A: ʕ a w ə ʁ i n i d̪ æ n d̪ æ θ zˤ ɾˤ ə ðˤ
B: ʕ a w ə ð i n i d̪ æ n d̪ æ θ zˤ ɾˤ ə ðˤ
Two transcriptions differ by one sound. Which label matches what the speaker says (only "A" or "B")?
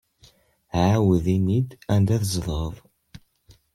B